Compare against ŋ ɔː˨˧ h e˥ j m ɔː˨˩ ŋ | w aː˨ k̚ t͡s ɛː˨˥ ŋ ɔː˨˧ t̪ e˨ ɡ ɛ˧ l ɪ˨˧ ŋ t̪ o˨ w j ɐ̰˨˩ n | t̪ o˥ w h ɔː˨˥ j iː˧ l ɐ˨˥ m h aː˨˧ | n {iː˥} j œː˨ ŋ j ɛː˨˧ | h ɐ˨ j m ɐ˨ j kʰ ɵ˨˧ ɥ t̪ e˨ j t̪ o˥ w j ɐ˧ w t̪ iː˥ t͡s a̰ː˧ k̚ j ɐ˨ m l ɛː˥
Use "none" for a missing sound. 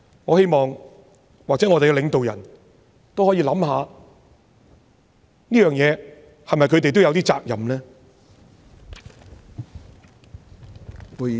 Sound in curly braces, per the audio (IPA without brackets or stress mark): iː˥